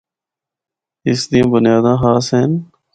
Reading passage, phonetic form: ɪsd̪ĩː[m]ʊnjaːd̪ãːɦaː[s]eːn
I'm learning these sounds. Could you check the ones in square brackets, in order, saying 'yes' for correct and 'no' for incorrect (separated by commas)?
no, yes